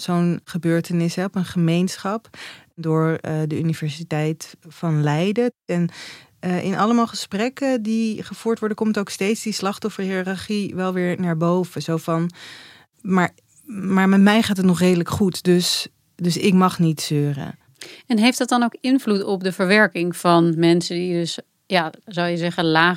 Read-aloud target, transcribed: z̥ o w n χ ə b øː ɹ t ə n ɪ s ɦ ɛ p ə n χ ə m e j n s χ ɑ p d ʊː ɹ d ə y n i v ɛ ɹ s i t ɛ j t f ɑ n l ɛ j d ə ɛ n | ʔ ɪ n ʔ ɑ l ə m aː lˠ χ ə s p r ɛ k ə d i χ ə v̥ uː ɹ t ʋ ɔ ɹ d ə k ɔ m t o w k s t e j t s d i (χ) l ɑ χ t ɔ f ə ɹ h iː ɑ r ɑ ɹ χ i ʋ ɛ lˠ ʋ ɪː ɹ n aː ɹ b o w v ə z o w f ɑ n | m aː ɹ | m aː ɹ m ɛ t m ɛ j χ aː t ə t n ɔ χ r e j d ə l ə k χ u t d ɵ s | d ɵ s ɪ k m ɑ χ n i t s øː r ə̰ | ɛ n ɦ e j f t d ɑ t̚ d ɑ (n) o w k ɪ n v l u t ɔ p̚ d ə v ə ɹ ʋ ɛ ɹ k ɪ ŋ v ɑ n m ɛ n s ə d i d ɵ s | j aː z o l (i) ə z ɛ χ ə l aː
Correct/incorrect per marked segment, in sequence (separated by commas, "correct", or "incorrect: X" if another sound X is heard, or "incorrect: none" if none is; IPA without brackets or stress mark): incorrect: s, correct, incorrect: j